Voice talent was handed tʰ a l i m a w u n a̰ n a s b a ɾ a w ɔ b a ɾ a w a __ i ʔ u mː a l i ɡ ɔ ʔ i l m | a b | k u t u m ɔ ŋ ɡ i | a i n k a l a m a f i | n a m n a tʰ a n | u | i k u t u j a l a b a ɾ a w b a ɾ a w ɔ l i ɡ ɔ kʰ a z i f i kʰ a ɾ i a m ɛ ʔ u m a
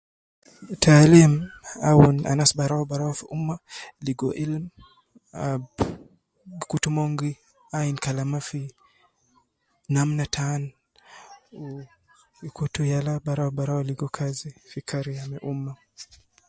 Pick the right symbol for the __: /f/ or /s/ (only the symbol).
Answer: f